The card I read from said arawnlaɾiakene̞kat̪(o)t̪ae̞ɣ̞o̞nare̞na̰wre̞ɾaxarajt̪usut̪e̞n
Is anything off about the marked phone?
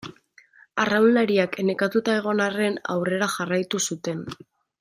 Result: yes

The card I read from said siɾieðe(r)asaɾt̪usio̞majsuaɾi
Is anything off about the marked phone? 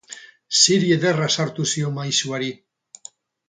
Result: no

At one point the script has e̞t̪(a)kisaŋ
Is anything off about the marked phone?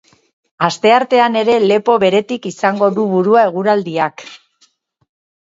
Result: yes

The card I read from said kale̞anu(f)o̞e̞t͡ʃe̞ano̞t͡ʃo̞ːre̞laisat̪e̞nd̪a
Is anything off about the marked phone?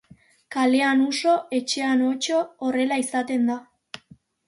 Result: yes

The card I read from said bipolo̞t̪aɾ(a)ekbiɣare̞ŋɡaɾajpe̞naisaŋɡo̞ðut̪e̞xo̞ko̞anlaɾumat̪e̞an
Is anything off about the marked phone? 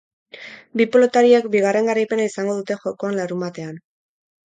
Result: yes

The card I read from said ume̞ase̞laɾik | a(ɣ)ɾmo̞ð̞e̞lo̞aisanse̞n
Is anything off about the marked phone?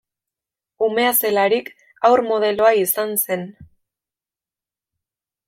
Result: yes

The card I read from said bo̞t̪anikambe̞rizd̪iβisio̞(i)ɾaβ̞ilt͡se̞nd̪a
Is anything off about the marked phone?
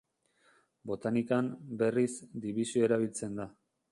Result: yes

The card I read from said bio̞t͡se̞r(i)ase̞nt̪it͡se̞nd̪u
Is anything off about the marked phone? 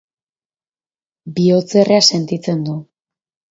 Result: yes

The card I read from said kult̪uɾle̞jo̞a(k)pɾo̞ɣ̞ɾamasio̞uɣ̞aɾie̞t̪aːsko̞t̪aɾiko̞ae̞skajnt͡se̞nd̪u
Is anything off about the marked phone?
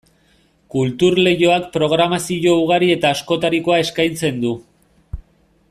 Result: no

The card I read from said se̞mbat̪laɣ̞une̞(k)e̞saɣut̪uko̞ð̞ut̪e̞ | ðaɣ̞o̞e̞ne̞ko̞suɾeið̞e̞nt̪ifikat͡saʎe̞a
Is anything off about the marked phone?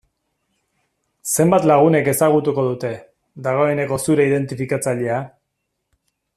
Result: no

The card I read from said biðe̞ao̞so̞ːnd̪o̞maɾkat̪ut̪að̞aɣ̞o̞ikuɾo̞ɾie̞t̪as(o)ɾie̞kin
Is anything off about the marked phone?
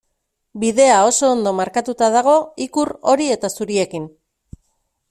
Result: yes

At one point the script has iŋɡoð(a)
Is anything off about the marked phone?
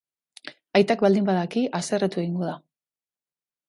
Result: no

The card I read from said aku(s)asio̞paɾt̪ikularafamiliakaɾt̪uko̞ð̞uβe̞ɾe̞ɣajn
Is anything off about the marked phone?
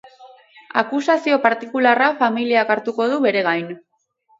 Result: no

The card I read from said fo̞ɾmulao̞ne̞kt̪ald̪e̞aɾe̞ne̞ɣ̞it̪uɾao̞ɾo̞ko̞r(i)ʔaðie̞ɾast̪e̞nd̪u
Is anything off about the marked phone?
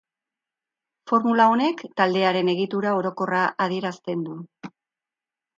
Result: yes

